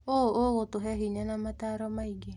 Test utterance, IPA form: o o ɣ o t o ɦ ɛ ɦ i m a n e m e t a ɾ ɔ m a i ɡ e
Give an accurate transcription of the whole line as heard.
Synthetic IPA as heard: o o ɣ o t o ɦ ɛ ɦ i ɲ a n a m a t a ɾ ɔ m a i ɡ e